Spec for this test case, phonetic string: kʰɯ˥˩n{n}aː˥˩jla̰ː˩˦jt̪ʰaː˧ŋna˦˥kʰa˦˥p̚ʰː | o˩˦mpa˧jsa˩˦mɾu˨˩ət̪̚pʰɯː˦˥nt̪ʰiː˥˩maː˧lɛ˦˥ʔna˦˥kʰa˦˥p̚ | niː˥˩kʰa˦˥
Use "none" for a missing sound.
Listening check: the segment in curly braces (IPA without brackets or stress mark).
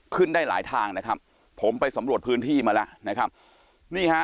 d